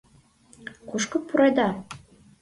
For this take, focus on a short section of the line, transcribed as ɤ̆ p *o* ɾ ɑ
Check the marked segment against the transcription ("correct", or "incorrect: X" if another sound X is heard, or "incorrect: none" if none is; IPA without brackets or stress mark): incorrect: u